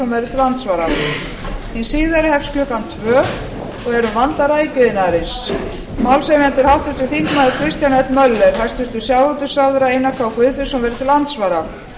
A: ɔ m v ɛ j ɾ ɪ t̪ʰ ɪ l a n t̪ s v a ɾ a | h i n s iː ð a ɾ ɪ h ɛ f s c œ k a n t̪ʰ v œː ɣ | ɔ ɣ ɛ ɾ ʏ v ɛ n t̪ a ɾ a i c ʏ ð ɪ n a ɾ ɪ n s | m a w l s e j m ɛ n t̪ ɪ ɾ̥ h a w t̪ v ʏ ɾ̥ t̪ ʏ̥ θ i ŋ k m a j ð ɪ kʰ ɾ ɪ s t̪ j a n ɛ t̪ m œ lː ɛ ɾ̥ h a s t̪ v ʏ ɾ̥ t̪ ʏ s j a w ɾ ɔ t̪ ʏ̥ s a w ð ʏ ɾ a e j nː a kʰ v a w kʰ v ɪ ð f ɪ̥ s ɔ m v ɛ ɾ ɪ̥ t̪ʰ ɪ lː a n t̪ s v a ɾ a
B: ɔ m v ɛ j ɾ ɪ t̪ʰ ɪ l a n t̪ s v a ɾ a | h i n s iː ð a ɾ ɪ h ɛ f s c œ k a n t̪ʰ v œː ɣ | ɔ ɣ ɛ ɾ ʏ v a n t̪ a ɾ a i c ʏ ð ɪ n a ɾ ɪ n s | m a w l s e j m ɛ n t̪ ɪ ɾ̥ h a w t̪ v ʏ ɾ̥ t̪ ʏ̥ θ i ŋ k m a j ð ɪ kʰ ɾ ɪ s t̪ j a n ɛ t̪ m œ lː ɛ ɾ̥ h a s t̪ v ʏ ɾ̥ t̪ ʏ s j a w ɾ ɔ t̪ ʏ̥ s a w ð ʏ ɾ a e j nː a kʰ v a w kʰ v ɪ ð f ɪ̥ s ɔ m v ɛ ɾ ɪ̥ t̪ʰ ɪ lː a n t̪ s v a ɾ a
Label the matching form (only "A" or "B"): B